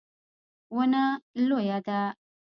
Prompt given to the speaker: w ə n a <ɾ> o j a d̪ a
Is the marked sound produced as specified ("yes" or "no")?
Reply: no